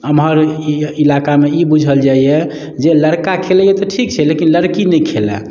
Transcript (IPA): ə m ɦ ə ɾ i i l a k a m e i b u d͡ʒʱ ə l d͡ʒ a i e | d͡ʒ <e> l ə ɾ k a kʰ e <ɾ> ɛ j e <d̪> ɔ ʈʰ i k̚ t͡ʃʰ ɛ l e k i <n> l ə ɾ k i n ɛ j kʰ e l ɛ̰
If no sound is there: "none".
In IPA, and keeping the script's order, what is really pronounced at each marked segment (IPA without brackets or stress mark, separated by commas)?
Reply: e, l, t̪, n